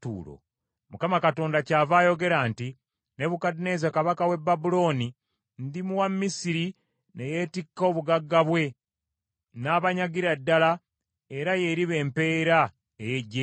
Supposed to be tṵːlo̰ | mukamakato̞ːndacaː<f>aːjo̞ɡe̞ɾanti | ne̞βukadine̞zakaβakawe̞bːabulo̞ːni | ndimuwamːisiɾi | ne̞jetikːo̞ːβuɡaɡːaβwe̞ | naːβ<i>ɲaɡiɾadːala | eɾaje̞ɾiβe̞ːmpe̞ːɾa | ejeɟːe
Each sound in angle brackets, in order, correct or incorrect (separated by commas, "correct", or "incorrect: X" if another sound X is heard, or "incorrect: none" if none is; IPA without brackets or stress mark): incorrect: v, incorrect: a